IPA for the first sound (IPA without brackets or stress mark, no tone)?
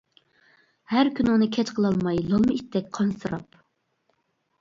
h